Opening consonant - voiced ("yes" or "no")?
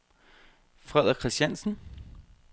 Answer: no